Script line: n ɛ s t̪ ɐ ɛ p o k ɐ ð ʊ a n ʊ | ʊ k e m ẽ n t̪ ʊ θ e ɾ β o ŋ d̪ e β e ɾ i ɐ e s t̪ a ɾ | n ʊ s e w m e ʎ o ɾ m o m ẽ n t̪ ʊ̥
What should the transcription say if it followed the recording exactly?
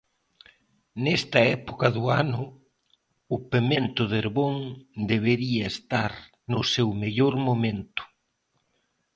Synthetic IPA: n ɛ s t̪ ɐ ɛ p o k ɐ ð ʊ a n ʊ | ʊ p e m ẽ n t̪ ʊ ð e ɾ β o ŋ d̪ e β e ɾ i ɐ e s t̪ a ɾ | n ʊ s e w m e ʎ o ɾ m o m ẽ n t̪ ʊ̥